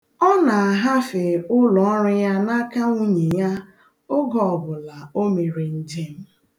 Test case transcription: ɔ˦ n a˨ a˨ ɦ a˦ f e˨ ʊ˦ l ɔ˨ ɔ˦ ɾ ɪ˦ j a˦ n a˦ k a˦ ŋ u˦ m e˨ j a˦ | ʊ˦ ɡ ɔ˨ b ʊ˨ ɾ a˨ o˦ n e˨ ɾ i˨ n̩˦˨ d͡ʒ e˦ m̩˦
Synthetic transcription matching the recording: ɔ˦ n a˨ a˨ ɦ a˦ f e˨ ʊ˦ l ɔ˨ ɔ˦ ɾ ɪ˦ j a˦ n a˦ k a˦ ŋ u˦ ɲ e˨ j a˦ | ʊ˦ ɡ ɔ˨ b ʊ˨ l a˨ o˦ m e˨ ɾ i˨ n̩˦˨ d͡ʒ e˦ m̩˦